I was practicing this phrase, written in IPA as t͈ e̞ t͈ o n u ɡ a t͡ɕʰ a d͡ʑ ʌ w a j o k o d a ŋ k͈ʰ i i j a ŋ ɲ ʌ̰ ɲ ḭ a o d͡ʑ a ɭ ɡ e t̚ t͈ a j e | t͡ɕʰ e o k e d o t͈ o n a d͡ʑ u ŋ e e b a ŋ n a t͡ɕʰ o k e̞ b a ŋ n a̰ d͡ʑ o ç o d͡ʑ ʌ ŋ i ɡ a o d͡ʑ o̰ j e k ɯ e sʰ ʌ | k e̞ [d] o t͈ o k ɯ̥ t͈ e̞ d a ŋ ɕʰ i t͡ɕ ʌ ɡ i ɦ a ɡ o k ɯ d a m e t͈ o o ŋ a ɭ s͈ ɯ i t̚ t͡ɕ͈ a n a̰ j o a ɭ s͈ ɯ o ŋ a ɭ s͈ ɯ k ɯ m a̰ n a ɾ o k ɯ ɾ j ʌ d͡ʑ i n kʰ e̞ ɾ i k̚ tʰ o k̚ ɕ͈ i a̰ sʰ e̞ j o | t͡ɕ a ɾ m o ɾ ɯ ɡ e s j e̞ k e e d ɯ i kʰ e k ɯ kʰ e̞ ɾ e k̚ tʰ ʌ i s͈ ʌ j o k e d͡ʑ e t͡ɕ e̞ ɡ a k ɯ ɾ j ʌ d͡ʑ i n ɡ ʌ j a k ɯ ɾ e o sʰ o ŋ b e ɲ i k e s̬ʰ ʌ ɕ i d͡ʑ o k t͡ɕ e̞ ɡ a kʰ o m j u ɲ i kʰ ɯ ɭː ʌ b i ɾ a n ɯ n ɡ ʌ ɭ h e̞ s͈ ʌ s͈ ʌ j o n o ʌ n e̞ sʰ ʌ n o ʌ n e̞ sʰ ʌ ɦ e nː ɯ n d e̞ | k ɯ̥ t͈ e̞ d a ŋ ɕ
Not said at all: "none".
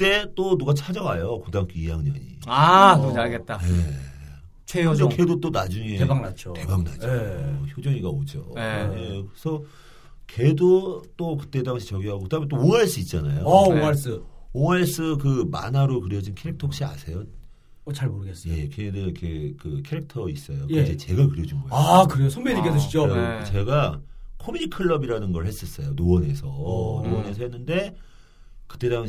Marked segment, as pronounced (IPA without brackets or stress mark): d